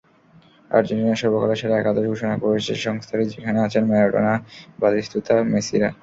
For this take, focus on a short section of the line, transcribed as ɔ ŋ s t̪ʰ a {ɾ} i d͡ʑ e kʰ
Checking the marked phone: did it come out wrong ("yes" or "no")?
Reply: no